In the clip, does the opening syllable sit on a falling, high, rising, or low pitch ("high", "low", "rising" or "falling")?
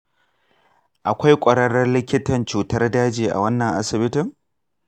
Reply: low